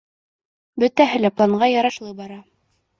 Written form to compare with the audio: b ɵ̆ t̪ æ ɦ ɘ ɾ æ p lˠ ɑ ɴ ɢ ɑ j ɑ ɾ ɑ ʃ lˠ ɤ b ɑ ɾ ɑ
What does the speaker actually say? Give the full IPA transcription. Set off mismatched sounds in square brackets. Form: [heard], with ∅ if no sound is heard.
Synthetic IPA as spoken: b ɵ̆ t̪ æ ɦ ɘ [l] æ p lˠ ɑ ɴ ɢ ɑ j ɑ ɾ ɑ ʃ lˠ ɤ b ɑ ɾ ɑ